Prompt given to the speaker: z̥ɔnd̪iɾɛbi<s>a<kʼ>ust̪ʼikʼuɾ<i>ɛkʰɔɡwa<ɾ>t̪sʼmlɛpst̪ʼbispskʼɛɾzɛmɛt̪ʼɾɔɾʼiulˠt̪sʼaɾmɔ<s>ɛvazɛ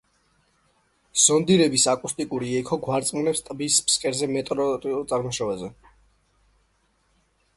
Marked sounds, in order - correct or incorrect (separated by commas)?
correct, correct, correct, correct, incorrect